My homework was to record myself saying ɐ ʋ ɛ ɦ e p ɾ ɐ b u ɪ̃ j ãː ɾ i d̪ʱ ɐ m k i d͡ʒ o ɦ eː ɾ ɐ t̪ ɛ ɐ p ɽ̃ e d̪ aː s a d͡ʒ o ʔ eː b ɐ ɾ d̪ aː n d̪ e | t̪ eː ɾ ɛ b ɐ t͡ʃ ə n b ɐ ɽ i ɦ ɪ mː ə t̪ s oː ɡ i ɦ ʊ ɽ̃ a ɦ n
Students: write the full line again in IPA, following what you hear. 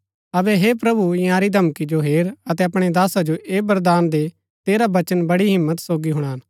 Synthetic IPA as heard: ɐ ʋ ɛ ɦ e p ɾ ɐ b u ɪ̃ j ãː ɾ i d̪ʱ ɐ m k i d͡ʒ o ɦ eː ɾ ɐ t̪ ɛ ɐ p ɽ̃ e d̪ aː s a d͡ʒ o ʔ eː b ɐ ɾ d̪ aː n d̪ e | t̪ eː ɾ a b ɐ t͡ʃ ə n b ɐ ɽ i ɦ ɪ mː ə t̪ s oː ɡ i ɦ ʊ ɽ̃ a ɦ n